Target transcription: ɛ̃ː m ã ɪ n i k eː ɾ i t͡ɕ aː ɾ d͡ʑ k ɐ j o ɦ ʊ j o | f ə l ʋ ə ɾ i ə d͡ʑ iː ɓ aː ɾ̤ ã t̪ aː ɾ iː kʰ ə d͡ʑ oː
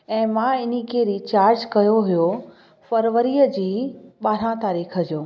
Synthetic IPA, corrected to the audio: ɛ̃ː m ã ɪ n i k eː ɾ i t͡ɕ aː ɾ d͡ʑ k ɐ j o ɦ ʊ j o | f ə ɾ ʋ ə ɾ i ə d͡ʑ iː ɓ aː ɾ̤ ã t̪ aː ɾ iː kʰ ə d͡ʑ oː